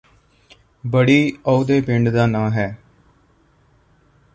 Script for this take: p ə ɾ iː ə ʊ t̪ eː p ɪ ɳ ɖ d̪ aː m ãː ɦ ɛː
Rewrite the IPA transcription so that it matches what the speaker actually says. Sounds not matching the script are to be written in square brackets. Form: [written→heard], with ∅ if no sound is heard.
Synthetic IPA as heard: [p→b] ə [ɾ→ɽ] iː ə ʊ [t̪→d̪] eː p ɪ ɳ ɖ d̪ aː [m→n] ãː ɦ ɛː